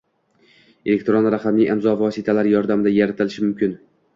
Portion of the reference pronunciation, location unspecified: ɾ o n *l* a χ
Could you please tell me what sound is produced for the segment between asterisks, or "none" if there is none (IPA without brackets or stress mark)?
ɾ